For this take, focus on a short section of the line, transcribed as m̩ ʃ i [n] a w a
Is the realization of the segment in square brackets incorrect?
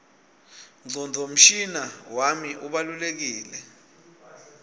no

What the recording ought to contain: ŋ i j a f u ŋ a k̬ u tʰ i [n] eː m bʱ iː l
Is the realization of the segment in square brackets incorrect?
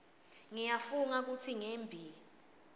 yes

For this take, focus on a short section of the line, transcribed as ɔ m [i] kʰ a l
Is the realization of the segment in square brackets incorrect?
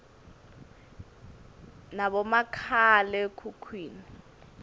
yes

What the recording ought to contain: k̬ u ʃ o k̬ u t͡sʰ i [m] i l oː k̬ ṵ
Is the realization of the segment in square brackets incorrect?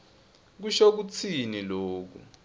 yes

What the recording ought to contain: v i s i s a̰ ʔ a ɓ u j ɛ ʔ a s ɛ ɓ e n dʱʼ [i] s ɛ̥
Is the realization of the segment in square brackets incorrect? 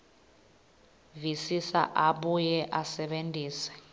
yes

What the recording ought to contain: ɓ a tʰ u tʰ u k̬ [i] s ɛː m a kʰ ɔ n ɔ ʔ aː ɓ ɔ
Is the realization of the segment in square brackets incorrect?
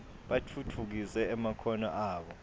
no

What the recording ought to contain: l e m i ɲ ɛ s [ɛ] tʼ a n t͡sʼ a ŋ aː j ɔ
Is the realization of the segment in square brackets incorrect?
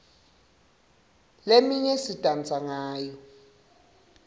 yes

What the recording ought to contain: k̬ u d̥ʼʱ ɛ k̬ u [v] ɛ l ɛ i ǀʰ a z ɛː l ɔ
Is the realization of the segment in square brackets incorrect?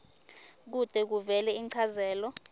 no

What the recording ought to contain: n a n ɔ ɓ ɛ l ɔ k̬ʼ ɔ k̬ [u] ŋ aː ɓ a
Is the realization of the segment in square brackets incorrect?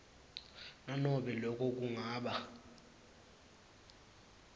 no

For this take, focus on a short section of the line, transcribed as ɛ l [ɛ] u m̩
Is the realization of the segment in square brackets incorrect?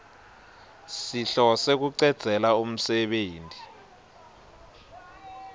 yes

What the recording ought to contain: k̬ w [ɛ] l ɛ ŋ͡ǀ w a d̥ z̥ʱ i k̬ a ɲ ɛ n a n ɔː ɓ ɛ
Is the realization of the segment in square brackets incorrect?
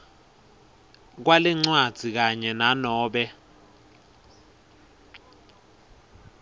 yes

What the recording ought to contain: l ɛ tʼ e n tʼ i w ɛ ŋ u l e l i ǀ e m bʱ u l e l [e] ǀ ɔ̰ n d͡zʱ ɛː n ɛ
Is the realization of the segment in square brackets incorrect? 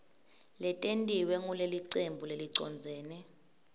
yes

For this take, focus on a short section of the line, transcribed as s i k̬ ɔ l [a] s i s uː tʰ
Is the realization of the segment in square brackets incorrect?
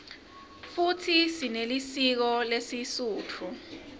yes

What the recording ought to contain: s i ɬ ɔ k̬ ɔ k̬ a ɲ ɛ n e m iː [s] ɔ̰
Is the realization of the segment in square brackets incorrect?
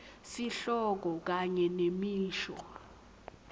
yes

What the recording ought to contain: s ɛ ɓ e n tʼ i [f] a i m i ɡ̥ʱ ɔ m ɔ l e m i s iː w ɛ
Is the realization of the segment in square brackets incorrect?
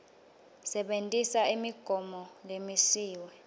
yes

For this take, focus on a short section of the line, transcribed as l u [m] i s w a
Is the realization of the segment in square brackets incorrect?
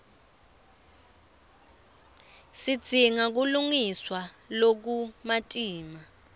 yes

